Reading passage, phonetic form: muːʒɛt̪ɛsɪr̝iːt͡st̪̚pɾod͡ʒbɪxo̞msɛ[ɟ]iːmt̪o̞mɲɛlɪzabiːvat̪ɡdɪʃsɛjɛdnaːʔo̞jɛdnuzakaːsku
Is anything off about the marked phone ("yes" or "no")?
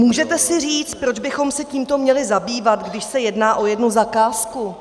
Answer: yes